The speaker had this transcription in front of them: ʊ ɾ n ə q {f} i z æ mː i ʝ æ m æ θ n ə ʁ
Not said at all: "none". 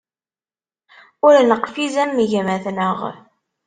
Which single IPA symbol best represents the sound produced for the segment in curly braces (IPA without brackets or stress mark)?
f